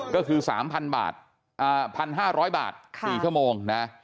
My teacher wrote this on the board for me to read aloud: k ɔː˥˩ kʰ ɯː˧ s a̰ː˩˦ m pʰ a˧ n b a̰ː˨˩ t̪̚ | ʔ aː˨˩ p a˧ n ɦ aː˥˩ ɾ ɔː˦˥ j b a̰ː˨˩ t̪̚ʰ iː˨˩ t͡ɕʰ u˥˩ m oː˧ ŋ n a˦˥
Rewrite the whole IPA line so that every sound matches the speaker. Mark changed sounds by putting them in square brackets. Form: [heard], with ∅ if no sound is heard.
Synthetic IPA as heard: k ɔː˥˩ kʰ ɯː˧ s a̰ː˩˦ m pʰ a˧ n b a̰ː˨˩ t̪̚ | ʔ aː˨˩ [pʰ] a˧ n ɦ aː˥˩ ɾ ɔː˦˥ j b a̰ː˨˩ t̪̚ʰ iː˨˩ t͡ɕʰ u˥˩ m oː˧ ŋ n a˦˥